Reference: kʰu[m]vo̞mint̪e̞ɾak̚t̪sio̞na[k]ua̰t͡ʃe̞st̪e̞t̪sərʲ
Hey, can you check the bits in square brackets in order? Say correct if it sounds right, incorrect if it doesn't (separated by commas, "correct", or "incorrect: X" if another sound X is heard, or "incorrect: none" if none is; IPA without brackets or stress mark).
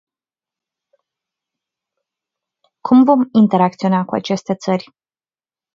correct, correct